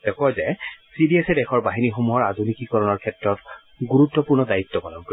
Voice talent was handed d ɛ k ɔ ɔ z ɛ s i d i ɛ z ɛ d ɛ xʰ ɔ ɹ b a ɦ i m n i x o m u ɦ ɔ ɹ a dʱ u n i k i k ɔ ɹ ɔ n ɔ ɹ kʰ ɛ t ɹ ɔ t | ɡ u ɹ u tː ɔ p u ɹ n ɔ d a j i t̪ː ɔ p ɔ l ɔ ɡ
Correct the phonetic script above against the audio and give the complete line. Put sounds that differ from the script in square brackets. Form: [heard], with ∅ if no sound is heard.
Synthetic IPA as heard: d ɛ k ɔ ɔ z ɛ s i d i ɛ [s] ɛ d ɛ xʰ ɔ ɹ b a ɦ i [∅] n i x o m u ɦ ɔ ɹ a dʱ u n i k i k ɔ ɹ ɔ n ɔ ɹ kʰ ɛ t ɹ ɔ t | ɡ u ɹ u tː ɔ p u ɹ n ɔ d a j i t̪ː ɔ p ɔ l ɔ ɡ